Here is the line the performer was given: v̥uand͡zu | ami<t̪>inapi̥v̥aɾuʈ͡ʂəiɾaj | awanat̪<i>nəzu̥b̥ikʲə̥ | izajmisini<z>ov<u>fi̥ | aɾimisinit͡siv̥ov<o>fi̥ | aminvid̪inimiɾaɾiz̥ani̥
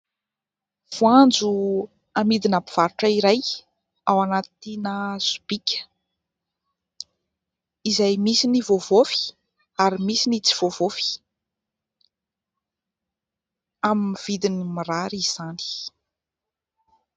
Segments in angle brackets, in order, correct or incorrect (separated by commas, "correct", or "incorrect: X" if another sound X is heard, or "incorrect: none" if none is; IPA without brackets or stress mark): incorrect: d̪, correct, incorrect: v, incorrect: o, correct